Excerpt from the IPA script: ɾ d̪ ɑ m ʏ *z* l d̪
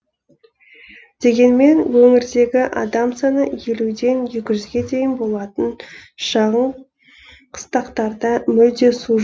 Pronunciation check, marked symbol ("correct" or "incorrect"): incorrect